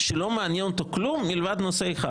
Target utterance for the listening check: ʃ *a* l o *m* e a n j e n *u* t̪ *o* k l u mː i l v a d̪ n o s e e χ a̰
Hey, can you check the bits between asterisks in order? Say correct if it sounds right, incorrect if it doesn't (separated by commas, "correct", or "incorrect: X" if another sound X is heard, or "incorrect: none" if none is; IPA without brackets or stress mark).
incorrect: e, correct, incorrect: o, correct